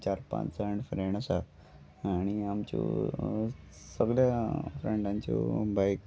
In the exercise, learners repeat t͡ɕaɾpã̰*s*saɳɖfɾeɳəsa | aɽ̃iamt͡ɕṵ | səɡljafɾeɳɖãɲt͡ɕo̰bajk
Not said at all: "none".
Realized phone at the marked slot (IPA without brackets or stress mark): t͡s